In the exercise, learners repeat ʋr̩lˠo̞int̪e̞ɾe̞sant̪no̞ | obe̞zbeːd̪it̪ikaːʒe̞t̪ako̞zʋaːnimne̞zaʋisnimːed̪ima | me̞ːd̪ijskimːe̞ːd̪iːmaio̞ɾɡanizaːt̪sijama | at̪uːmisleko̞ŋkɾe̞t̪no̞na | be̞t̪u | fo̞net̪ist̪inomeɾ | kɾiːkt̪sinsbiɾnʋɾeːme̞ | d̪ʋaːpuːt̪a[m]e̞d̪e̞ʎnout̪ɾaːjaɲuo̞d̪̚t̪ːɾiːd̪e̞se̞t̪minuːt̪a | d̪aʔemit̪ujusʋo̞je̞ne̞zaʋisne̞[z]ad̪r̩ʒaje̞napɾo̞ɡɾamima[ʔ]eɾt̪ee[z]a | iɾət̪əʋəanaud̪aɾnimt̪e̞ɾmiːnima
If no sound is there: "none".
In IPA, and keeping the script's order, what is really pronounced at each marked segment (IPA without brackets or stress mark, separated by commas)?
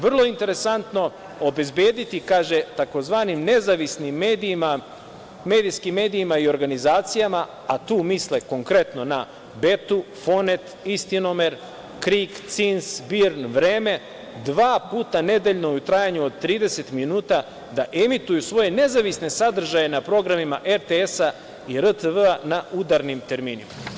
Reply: n, s, ʔ, s